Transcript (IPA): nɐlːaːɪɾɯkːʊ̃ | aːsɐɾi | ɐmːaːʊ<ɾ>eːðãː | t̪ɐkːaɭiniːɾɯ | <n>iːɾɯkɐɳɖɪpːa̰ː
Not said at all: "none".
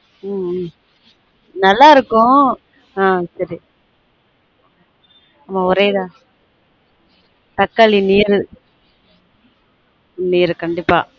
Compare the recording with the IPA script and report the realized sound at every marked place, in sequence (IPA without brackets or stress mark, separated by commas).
ɾ, n